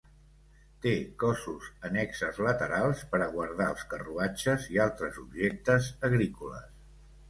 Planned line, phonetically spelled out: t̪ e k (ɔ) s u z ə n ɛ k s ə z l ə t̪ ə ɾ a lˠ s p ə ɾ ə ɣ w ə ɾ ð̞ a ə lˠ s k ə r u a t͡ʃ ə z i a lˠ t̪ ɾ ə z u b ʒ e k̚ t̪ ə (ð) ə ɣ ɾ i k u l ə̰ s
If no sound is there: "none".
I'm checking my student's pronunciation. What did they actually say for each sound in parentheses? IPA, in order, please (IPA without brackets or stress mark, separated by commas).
ɔ, z